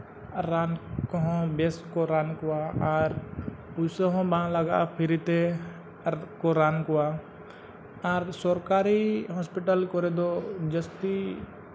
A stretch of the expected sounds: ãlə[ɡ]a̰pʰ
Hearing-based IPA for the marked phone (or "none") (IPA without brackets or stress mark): ɡ